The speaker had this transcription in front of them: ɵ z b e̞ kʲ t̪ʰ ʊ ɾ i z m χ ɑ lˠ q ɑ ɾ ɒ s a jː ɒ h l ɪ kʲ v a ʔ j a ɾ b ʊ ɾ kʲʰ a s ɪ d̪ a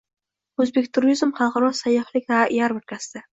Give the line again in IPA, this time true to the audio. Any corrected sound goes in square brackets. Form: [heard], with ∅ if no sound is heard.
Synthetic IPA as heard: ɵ z b e̞ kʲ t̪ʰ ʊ ɾ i z m χ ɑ lˠ q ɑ ɾ ɒ s a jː ɒ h l ɪ kʲ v a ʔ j a ɾ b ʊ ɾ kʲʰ a s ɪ d̪ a